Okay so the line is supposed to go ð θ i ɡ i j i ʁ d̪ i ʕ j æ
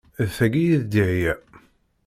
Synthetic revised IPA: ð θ æ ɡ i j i ð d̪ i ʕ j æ